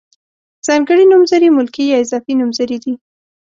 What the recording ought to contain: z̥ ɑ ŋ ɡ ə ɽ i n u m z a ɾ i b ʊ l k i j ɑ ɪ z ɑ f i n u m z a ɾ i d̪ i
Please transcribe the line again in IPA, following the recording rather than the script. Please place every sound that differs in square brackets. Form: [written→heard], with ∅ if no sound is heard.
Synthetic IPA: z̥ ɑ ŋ ɡ ə ɽ i n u m z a ɾ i [b→m] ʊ l k i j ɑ ɪ z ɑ f i n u m z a ɾ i d̪ i